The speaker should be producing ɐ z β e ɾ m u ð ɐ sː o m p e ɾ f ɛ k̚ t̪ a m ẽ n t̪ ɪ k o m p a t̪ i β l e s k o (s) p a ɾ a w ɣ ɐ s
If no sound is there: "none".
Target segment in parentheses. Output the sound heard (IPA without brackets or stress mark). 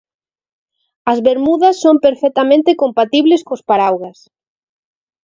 s